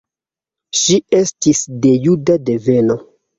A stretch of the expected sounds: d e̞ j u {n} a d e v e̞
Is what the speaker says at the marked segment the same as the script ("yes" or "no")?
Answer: no